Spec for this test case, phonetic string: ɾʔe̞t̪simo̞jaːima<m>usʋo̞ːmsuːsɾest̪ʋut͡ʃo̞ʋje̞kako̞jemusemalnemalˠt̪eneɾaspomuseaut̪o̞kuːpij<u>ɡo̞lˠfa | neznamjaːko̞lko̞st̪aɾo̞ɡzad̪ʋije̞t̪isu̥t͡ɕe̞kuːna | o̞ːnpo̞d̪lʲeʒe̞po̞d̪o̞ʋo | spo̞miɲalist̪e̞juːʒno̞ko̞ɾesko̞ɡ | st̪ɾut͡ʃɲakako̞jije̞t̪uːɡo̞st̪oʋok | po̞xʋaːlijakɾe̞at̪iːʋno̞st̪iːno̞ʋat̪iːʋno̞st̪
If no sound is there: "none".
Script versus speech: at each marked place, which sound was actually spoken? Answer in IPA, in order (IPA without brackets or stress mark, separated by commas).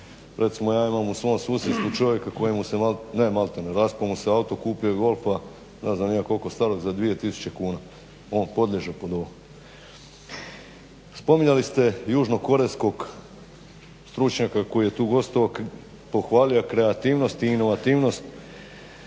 m, o